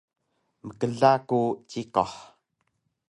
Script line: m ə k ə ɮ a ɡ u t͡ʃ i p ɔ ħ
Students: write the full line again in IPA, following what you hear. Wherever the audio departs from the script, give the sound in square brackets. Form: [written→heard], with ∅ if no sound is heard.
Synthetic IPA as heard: m ə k ə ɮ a [ɡ→k] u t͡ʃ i [p→k] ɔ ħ